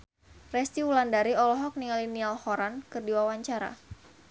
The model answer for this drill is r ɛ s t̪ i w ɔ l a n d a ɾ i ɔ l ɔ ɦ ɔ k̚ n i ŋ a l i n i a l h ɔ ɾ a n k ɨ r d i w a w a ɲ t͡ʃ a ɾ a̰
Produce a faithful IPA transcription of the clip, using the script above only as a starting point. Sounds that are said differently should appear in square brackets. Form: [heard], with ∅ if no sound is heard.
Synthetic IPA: r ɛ s t̪ i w [u] l a n d a ɾ i ɔ l ɔ ɦ ɔ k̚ n i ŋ a l i n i a l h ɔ ɾ a n k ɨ r d i w a w a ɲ t͡ʃ a ɾ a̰